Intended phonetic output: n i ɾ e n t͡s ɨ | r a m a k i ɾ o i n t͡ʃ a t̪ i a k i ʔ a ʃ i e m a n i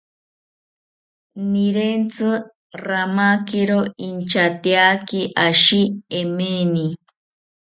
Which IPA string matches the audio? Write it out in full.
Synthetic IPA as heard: n i ɾ e n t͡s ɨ | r a m a k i ɾ o i n t͡ʃ a t̪ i a k i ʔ a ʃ i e m e n i